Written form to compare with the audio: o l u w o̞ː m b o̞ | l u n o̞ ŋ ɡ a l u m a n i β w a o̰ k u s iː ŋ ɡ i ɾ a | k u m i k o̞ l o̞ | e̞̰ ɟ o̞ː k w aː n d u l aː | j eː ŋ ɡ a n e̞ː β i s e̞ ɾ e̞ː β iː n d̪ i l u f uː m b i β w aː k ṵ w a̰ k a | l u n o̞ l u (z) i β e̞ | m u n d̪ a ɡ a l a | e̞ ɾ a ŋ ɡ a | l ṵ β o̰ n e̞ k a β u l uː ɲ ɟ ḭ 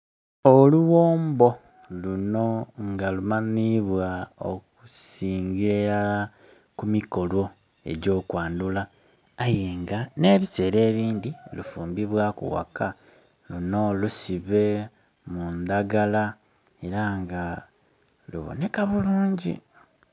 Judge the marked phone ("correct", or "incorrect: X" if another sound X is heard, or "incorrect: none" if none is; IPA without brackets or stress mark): incorrect: s